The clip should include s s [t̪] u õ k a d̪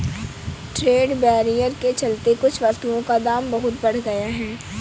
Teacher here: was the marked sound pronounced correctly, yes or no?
yes